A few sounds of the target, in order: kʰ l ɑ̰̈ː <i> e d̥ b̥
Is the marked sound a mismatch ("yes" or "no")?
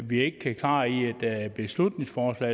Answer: no